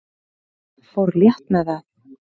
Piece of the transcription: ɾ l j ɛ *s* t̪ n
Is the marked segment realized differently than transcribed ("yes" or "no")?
yes